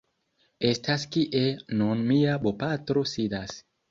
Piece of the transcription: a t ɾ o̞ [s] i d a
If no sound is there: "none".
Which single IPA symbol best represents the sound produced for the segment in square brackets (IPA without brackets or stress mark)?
s